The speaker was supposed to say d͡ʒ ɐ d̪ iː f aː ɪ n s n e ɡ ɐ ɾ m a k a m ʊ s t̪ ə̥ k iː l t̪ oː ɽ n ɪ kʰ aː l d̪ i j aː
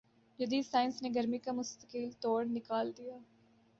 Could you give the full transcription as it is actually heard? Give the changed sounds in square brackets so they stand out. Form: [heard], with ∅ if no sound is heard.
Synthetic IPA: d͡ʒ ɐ d̪ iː [s] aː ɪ n s n e ɡ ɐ ɾ m [i] k a m ʊ s t̪ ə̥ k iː l t̪ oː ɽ n ɪ [k] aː l d̪ i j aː